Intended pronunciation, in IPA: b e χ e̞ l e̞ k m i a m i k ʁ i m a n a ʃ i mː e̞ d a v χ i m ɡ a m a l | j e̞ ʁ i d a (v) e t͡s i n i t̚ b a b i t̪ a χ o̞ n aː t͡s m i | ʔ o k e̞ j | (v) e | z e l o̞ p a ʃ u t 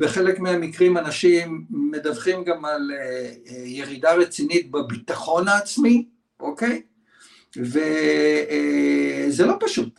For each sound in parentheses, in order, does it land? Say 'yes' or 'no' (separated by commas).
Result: no, yes